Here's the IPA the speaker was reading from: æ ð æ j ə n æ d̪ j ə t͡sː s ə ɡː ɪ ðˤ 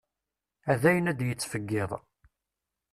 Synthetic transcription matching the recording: æ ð æ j ə n æ d̪ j ə t͡sː f ə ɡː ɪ ðˤ